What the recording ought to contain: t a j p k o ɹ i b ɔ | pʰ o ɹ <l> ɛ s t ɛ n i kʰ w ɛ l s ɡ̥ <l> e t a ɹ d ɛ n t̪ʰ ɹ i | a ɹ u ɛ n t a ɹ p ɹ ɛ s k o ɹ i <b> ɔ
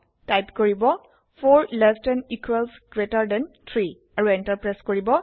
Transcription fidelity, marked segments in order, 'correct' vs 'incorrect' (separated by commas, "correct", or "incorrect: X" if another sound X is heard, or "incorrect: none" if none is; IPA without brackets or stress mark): correct, incorrect: ɹ, correct